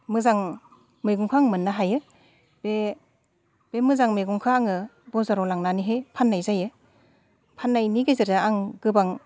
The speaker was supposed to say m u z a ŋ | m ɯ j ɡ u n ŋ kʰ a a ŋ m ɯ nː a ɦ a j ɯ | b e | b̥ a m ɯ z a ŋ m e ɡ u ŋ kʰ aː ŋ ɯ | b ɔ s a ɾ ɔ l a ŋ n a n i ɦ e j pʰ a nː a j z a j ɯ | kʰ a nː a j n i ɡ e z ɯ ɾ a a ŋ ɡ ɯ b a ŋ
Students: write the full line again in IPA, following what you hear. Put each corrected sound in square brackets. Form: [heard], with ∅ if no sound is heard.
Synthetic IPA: m [ɯ] z a ŋ | m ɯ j ɡ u [∅] ŋ kʰ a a ŋ m ɯ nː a ɦ a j ɯ | b e | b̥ [e] m ɯ z a ŋ m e ɡ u ŋ kʰ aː ŋ ɯ | b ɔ [z] a ɾ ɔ l a ŋ n a n i ɦ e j pʰ a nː a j z a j ɯ | [pʰ] a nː a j n i ɡ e z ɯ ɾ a a ŋ ɡ ɯ b a ŋ